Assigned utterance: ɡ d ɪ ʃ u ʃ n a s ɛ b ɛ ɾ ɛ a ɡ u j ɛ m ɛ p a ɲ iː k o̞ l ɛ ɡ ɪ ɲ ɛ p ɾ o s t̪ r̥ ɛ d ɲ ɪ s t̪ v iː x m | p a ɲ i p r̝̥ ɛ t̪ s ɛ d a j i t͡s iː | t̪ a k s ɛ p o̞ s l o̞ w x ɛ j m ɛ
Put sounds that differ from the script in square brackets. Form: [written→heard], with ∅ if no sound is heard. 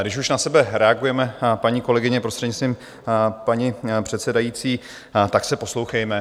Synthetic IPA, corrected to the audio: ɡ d ɪ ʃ u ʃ n a s ɛ b ɛ ɾ ɛ a ɡ u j ɛ m ɛ p a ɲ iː k o̞ l ɛ ɡ ɪ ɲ ɛ p ɾ o s t̪ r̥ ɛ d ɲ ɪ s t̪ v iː [x→∅] m | p a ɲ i p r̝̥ ɛ t̪ s ɛ d a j i t͡s iː | t̪ a k s ɛ p o̞ s l o̞ w x ɛ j m ɛ